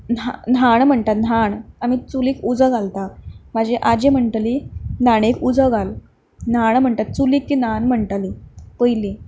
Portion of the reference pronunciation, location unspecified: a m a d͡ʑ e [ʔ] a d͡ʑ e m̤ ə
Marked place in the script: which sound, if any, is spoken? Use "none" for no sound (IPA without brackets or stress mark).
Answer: ʔ